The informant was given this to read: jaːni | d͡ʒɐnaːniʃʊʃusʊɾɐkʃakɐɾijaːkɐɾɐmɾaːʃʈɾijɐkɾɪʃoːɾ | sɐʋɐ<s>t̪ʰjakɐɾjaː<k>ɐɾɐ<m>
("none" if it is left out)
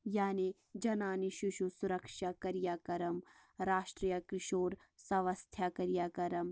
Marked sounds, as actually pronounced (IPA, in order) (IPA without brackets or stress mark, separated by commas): s, k, m